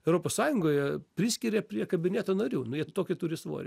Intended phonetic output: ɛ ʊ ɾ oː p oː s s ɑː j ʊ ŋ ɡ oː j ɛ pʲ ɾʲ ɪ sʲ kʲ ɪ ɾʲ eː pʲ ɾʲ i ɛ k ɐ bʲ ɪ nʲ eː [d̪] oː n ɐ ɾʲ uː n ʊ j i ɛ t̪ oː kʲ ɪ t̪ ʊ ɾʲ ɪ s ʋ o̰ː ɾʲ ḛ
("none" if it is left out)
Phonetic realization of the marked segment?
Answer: t̪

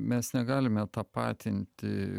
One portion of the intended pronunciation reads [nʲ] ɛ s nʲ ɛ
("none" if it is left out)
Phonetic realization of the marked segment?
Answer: mʲ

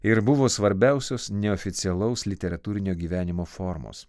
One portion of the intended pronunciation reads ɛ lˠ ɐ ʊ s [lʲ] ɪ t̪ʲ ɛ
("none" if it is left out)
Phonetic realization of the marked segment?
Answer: lʲ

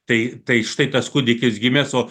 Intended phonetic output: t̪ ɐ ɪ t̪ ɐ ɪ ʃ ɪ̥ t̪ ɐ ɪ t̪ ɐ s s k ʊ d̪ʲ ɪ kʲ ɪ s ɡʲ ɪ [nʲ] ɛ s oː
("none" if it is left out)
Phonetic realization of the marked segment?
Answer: mʲ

